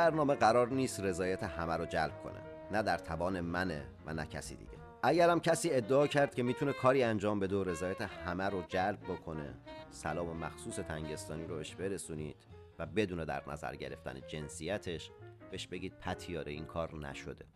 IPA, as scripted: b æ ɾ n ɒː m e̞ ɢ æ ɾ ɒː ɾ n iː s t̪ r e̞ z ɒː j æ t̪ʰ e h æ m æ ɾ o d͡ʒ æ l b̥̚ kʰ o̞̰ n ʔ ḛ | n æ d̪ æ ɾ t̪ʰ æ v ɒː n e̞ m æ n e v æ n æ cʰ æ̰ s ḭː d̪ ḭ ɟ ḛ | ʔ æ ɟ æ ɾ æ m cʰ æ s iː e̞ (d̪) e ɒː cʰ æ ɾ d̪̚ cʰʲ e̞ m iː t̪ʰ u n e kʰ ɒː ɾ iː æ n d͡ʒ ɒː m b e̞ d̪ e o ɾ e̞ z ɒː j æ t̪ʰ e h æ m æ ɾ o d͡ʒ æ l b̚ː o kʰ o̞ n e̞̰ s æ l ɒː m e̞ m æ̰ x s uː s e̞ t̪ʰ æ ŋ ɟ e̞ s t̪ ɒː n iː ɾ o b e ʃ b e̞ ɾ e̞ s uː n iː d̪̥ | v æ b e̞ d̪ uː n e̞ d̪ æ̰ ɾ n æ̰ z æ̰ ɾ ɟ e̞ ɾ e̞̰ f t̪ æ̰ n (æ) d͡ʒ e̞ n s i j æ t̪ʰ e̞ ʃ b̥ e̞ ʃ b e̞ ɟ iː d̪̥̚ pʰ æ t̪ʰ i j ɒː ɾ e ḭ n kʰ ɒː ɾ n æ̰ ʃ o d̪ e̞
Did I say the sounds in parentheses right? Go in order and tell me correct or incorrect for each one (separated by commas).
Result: incorrect, incorrect